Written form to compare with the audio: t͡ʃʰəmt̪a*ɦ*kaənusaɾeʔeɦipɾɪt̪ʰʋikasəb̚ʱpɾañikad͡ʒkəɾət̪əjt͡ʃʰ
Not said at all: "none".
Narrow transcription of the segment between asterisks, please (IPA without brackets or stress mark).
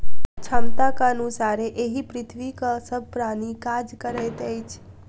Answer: none